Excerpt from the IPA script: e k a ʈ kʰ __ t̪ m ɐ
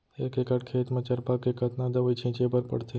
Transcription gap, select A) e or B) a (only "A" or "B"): A